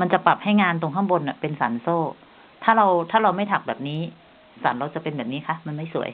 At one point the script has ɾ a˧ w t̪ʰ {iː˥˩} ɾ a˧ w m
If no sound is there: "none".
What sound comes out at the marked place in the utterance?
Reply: aː˥˩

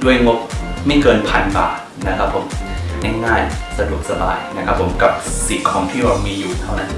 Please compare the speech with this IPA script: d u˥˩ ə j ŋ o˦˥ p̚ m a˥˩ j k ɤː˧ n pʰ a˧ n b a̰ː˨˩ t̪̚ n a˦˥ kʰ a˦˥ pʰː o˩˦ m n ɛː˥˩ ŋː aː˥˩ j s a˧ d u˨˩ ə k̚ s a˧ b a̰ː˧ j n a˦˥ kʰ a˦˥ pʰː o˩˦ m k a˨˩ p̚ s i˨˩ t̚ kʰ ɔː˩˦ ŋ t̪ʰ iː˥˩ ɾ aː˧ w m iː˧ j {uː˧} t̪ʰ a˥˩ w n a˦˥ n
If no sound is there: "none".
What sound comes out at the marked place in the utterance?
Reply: uː˨˩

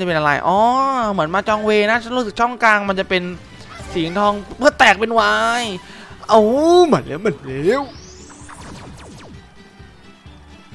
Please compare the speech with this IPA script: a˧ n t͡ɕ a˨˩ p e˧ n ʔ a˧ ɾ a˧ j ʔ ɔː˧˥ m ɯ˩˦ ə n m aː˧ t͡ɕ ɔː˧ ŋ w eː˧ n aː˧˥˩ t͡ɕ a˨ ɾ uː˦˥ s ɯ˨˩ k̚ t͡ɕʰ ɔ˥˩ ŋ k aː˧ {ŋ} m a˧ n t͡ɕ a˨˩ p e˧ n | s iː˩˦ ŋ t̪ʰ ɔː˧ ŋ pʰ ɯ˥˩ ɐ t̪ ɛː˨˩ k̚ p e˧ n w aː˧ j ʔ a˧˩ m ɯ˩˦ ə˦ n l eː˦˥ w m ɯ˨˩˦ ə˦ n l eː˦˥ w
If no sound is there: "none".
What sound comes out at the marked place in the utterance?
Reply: ŋ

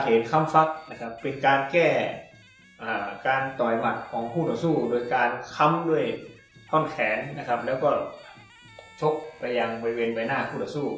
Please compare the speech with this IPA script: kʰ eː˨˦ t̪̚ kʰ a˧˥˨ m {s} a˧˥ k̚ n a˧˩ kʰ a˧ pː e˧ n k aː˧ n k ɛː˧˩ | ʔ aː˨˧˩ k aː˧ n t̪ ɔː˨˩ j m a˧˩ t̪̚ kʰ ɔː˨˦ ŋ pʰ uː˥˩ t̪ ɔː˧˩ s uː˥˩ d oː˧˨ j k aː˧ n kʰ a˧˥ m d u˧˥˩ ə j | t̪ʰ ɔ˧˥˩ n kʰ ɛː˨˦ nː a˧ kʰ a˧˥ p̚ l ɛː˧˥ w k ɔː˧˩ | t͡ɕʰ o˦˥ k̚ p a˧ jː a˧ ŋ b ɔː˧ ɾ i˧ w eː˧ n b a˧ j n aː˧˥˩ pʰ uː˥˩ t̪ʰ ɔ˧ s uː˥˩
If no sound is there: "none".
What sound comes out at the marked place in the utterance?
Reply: f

